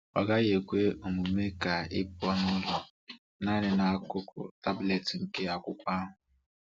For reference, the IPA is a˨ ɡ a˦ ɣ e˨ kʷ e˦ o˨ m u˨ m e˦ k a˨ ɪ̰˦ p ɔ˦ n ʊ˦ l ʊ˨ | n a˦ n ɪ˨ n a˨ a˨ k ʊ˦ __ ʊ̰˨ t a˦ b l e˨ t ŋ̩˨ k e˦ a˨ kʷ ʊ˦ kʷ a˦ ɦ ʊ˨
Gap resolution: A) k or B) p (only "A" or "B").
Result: A